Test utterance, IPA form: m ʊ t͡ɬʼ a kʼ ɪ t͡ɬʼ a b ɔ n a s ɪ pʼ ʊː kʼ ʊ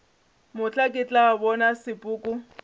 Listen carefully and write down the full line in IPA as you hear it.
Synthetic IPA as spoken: m ʊ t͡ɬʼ a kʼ ɪ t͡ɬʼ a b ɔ n a s ɪ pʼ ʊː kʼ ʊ